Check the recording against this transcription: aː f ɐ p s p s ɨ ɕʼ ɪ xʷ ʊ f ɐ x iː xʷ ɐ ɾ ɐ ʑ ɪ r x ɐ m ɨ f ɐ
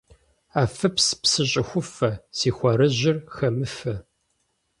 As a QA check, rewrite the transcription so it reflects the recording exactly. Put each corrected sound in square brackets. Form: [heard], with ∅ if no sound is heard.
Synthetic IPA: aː f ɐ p s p s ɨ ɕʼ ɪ xʷ ʊ f ɐ [s] iː xʷ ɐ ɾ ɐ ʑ ɪ r x ɐ m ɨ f ɐ